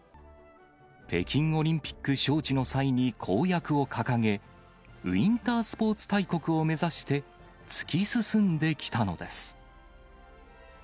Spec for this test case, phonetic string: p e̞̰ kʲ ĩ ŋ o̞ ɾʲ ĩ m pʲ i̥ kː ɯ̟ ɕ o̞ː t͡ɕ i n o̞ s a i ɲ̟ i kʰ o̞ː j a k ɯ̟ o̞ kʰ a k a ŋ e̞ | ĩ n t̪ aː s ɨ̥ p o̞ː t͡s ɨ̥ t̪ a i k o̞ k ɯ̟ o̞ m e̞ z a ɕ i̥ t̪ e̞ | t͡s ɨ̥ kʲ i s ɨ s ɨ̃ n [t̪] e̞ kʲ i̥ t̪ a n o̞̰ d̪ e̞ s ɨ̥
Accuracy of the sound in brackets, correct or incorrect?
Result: incorrect: d̪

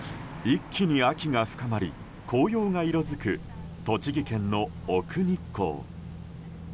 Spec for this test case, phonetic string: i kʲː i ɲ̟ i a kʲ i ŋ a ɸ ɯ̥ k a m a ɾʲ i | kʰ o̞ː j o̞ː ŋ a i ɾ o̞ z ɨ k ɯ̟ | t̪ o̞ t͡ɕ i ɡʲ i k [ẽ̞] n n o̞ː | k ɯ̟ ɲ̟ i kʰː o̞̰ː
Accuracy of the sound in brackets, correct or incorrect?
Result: correct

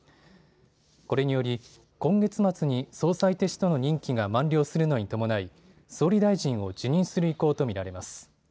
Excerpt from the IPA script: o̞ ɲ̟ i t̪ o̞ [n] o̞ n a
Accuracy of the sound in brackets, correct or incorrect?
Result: incorrect: m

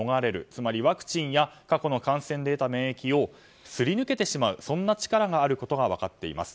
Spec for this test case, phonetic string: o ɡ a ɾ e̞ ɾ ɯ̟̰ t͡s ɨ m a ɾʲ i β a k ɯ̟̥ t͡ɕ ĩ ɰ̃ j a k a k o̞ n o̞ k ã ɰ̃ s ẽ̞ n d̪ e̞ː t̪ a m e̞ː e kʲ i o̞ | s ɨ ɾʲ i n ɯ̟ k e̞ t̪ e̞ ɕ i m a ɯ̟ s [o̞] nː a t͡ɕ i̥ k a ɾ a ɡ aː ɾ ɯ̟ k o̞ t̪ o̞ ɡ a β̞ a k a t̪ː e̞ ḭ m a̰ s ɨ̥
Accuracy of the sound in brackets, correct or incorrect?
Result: incorrect: õ̞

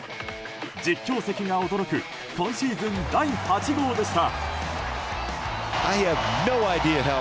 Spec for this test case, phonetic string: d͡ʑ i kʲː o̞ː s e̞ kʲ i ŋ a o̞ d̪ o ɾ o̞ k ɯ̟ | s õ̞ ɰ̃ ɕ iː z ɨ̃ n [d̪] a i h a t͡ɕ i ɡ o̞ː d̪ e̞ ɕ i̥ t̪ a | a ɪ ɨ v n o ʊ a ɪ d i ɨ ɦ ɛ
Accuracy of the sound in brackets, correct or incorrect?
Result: correct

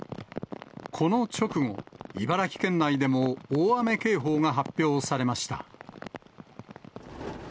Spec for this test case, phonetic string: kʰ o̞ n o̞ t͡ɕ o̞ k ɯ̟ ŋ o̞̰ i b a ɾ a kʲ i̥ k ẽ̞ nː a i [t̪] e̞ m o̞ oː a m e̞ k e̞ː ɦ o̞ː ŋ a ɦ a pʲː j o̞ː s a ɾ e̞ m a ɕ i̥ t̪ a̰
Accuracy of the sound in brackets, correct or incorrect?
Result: incorrect: d̪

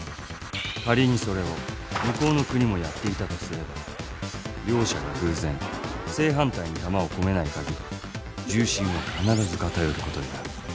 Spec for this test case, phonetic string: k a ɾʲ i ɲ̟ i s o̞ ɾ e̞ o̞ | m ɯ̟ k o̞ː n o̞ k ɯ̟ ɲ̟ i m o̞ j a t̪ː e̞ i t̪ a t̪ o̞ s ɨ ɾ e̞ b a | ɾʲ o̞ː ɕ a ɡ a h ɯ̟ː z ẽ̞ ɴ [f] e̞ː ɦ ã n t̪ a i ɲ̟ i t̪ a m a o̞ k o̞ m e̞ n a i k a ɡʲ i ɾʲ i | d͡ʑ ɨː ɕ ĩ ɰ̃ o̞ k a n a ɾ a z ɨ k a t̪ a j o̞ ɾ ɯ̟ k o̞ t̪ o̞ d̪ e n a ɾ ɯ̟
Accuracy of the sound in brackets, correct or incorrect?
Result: incorrect: s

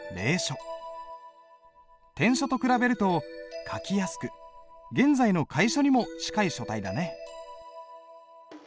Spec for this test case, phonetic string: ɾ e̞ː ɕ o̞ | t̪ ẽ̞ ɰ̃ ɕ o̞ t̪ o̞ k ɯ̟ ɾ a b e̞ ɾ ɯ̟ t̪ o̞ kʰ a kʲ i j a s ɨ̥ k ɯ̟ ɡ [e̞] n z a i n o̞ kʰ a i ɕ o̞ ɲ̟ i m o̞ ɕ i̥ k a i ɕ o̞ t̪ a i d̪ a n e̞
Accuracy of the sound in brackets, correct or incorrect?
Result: incorrect: ẽ̞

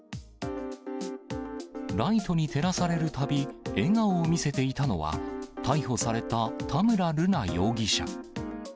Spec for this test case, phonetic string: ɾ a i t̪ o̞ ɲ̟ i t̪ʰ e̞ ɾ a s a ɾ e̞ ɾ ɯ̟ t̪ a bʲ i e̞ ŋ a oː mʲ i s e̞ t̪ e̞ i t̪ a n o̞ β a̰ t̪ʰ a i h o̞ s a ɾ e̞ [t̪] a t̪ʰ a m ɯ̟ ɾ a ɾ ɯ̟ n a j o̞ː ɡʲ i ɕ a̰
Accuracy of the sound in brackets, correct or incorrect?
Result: correct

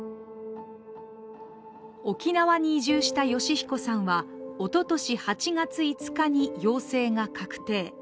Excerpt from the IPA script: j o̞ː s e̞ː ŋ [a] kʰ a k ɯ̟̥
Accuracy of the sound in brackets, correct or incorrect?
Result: correct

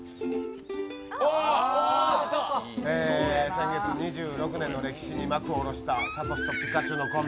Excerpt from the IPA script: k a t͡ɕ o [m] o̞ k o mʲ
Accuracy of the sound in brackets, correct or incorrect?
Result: incorrect: n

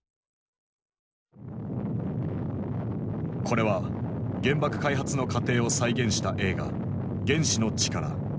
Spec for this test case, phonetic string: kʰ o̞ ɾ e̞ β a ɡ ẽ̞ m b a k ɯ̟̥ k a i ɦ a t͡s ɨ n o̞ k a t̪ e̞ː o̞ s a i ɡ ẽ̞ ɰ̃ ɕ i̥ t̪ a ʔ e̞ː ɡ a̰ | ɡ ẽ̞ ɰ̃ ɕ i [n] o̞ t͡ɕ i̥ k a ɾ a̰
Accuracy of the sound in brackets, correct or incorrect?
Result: correct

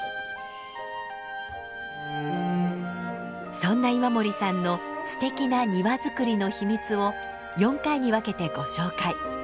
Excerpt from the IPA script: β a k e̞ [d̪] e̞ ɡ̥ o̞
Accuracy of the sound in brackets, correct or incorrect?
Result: incorrect: t̪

